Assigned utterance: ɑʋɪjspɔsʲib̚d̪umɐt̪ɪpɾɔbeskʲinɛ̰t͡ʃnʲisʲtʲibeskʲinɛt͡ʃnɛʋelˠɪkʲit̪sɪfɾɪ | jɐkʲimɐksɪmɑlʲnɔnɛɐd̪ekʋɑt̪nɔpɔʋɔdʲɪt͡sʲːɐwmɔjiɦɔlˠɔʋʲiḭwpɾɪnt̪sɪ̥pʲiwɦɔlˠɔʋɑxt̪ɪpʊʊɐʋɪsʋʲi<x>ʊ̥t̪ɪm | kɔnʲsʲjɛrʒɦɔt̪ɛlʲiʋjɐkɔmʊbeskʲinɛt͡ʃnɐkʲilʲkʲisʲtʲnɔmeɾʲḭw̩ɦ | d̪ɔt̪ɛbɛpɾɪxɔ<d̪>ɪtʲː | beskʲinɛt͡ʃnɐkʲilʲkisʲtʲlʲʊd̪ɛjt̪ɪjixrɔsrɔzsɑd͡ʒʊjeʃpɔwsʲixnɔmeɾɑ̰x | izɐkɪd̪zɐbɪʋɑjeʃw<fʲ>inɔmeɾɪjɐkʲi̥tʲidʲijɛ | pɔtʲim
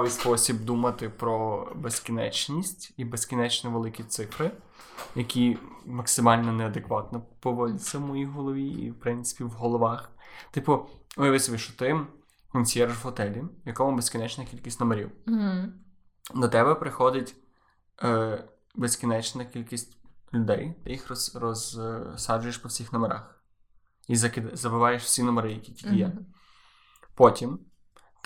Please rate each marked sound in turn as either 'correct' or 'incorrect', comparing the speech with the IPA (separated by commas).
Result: incorrect, correct, incorrect